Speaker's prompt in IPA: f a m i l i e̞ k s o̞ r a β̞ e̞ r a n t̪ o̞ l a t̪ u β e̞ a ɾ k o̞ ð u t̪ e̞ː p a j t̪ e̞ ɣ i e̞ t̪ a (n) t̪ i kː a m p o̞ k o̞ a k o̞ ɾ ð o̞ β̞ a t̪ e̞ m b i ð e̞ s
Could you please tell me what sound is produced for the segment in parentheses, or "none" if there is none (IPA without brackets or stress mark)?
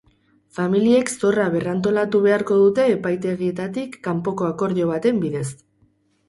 none